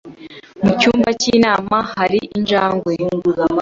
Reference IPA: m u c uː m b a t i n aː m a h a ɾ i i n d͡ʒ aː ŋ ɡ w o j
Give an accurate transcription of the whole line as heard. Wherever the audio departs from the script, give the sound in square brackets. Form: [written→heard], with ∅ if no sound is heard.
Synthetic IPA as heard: m u c uː m b a [t→c] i n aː m a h a ɾ i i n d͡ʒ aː ŋ ɡ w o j